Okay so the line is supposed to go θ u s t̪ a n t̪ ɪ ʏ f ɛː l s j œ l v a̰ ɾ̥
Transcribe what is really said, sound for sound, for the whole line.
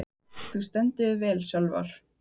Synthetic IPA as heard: θ u s t̪ ɛ n t̪ ɪ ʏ v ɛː l s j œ l v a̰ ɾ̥